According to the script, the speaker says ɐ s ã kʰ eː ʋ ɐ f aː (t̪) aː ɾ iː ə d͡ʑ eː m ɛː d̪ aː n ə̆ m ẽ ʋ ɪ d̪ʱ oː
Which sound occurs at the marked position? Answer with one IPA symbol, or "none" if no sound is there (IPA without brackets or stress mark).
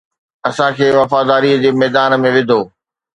d̪